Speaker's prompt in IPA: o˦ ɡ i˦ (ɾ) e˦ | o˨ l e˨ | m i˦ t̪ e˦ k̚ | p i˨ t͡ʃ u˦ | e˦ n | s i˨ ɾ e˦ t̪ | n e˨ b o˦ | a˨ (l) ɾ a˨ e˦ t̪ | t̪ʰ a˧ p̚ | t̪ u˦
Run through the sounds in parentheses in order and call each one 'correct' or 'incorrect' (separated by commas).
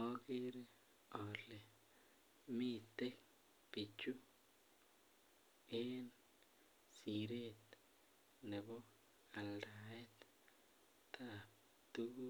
correct, correct